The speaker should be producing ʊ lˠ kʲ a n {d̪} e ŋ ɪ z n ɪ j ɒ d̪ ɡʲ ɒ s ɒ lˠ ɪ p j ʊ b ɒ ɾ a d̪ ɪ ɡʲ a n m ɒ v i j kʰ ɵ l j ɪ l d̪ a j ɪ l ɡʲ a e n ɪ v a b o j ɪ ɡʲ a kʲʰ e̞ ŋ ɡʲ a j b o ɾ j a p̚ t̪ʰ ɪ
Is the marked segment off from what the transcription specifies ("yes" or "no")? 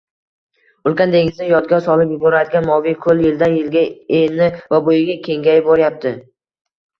no